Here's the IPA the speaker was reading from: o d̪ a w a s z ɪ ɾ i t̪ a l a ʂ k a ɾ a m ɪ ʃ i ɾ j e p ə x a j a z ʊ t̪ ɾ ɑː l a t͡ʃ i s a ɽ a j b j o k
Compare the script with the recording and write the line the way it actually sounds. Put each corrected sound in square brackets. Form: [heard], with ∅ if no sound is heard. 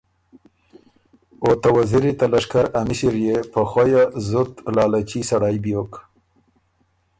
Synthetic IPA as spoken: o [t̪] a w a [∅] z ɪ ɾ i t̪ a l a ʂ k a ɾ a m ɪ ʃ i ɾ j e p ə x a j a z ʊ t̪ [l] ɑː l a t͡ʃ i s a ɽ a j b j o k